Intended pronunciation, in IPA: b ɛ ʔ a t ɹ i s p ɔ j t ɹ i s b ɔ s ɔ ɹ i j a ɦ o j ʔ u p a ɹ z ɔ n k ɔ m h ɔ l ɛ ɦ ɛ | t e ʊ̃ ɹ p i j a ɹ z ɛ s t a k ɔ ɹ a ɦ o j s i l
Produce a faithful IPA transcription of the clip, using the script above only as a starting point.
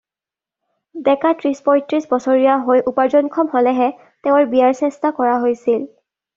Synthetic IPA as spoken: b ɛ k a t ɹ i s p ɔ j t ɹ i s b ɔ s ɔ ɹ i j a ɦ o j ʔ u p a ɹ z ɔ n kʰ ɔ m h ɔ l ɛ ɦ ɛ | t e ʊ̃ ɹ b i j a ɹ s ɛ s t a k ɔ ɹ a ɦ o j s i l